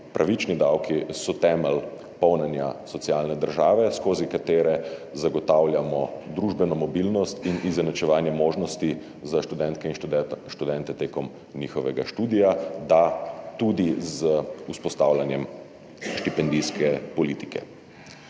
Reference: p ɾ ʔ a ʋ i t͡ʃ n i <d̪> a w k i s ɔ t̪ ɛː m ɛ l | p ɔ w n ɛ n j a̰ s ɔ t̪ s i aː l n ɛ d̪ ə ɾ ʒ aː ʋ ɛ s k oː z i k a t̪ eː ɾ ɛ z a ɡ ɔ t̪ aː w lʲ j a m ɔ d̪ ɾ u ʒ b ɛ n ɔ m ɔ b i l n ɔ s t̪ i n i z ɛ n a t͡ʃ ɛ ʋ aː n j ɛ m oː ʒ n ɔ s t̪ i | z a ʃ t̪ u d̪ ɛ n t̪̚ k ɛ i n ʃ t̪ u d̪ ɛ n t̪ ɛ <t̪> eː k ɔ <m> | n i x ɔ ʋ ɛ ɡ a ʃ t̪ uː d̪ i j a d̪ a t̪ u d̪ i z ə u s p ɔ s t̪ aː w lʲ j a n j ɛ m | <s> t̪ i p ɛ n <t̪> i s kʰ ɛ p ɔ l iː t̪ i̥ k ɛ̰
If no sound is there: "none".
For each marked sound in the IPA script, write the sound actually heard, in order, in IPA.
d̪, t̪, m, ʃ, d̪

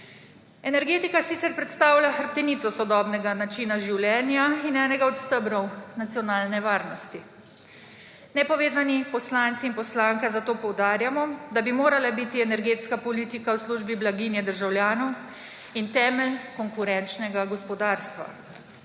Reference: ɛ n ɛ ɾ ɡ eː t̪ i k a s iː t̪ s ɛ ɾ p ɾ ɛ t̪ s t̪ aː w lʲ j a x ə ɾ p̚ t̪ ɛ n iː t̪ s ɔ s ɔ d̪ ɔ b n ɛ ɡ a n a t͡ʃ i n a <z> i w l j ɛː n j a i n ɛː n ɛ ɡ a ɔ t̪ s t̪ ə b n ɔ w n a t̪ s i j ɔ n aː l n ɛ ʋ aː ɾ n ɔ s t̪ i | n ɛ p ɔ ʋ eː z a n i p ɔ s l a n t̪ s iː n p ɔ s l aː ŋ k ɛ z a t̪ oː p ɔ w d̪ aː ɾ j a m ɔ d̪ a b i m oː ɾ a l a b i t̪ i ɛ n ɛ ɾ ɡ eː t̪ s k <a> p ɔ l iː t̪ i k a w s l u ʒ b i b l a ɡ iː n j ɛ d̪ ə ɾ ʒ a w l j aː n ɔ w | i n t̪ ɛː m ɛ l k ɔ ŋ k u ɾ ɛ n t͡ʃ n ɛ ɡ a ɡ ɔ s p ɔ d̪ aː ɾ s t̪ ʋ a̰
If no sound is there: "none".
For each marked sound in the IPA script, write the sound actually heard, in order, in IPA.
ʒ, a

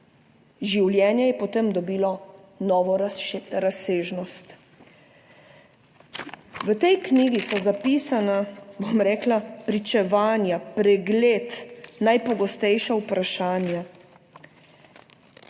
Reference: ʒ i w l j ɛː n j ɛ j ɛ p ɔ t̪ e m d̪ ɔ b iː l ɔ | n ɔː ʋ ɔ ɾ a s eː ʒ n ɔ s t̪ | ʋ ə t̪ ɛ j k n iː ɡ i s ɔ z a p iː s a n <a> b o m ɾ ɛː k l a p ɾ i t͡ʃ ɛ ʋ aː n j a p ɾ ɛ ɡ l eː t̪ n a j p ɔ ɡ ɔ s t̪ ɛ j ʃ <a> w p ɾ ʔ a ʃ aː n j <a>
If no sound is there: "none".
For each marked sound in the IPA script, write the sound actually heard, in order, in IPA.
a, a, a

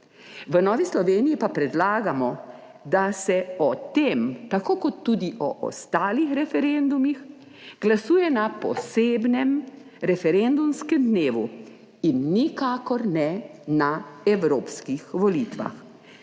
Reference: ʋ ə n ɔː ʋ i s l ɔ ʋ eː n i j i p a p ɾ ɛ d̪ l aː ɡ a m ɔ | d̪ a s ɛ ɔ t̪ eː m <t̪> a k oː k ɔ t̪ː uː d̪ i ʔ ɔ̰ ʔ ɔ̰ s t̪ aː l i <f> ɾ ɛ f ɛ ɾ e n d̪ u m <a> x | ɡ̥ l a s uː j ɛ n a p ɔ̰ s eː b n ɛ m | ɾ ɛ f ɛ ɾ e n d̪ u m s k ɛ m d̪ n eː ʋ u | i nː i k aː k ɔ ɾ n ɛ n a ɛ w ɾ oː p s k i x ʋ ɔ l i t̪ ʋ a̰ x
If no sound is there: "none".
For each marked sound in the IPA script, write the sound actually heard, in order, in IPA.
t̪, x, i

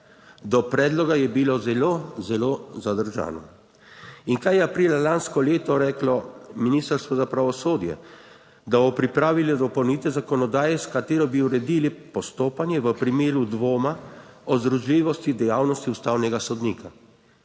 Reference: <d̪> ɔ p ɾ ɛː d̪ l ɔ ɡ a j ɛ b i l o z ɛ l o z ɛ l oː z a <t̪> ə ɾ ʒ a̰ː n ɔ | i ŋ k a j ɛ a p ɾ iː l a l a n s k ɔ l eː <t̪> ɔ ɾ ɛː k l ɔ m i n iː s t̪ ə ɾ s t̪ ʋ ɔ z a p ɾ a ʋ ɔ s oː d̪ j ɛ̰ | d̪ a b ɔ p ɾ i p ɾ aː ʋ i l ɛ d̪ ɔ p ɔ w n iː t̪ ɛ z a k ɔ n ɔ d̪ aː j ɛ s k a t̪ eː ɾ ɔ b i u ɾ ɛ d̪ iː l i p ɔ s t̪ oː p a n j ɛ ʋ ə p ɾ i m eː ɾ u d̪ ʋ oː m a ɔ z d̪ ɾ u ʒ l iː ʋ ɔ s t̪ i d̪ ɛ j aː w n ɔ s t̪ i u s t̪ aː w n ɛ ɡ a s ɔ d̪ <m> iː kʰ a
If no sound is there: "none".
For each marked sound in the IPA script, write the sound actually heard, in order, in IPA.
d̪, d̪, t̪, n

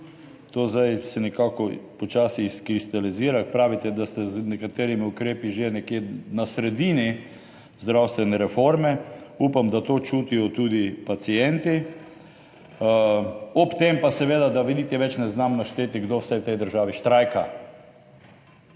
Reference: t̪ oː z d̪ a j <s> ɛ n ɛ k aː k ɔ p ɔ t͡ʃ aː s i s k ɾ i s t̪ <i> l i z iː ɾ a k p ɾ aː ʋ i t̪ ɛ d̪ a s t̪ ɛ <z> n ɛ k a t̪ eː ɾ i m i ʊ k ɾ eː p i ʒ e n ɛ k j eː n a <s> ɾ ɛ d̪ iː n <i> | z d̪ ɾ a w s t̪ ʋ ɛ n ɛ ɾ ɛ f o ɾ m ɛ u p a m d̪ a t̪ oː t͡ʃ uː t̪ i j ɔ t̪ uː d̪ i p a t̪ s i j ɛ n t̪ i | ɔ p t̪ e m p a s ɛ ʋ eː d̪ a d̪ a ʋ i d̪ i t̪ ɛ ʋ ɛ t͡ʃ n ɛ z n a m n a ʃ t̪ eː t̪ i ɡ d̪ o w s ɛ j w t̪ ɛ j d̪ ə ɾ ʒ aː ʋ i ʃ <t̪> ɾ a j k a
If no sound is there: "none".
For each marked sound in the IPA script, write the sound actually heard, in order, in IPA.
s, a, z, s, i, t̪

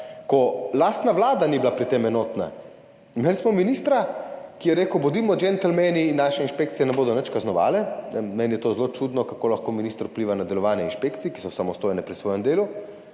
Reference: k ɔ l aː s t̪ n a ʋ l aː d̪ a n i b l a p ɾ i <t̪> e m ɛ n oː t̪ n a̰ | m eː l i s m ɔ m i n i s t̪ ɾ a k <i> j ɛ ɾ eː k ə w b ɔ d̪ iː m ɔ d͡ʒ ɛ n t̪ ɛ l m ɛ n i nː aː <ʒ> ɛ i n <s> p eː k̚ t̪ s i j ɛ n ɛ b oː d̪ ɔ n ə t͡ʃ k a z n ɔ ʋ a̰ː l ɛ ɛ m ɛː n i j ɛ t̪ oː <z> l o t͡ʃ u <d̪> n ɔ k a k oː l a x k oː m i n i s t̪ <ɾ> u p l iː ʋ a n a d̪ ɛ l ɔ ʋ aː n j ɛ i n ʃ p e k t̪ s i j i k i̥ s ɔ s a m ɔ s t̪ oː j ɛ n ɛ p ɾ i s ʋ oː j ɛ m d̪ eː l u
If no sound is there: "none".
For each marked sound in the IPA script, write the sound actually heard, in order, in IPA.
t̪, i, ʃ, ʃ, z, d̪, ɾ

